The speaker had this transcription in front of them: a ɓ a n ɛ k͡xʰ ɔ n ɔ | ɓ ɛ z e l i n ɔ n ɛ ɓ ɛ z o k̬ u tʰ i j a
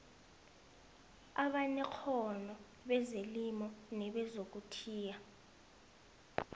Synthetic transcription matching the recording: a ɓ a n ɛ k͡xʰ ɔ n ɔ | ɓ ɛ z e l i m ɔ n ɛ ɓ ɛ z o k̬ u tʰ iː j a